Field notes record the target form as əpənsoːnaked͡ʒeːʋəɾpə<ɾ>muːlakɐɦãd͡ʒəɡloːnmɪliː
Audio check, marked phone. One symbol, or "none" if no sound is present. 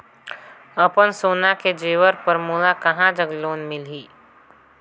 ɾ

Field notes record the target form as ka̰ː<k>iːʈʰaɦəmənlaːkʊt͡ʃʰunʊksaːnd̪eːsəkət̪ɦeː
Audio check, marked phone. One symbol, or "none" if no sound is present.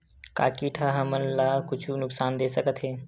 k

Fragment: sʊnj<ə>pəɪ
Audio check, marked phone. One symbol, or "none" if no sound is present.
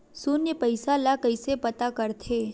ə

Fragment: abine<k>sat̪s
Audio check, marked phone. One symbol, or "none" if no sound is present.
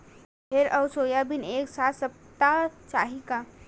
k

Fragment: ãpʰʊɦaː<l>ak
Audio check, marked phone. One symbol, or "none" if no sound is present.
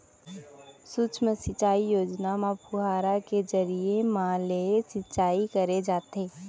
ɾ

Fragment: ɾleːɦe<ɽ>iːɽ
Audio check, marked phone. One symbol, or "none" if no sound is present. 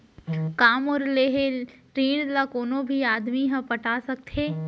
ɾ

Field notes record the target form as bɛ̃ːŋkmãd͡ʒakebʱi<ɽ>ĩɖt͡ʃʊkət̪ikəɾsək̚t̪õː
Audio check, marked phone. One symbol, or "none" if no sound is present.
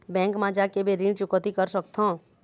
ɾ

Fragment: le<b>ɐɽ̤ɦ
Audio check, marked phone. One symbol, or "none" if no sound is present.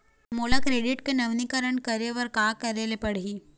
p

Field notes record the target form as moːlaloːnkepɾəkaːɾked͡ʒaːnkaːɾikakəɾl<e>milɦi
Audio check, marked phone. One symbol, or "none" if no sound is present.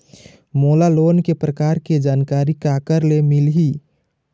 e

